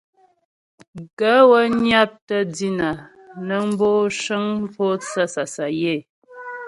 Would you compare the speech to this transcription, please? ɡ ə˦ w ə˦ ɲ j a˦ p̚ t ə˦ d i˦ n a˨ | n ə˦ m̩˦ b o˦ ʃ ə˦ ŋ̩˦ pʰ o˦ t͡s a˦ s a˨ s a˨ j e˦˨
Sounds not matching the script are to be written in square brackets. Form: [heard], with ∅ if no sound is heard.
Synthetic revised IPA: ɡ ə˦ w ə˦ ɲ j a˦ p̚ t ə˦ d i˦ n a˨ | n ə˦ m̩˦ b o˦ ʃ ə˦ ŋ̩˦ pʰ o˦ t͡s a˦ s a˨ s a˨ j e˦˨